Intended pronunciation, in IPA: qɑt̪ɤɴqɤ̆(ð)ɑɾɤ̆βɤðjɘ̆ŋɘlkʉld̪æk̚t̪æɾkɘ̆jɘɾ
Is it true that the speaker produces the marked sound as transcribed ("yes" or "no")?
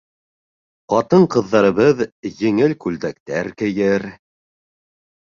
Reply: no